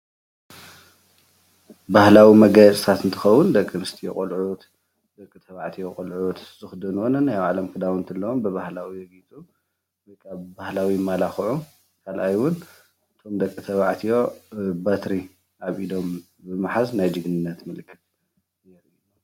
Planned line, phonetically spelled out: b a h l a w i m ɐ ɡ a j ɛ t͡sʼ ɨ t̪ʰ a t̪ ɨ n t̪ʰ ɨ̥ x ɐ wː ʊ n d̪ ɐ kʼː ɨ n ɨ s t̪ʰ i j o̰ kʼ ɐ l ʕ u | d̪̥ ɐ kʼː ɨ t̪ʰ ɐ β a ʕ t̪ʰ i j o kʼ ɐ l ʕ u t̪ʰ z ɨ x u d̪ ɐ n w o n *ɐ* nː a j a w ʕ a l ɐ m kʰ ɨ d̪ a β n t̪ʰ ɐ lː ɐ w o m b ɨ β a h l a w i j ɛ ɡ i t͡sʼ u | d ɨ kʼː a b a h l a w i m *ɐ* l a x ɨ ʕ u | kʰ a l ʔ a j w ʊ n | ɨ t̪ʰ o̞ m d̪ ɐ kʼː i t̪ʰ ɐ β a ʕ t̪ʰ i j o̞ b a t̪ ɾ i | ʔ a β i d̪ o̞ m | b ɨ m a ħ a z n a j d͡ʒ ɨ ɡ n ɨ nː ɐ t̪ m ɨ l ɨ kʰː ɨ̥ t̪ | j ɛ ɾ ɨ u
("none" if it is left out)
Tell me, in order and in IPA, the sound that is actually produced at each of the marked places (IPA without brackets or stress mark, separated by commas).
ɐ, a